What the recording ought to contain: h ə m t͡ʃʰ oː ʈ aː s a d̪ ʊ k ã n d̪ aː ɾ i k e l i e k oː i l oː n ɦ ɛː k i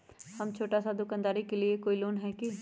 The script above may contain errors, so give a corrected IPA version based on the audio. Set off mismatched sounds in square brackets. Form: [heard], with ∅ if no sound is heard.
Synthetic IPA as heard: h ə m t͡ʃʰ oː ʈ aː s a d̪ ʊ k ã n d̪ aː ɾ i k e l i e k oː i l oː n ɦ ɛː k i